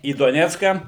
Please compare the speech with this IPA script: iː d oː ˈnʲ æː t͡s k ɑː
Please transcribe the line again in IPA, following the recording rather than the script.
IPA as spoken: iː d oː ˈnʲ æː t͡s k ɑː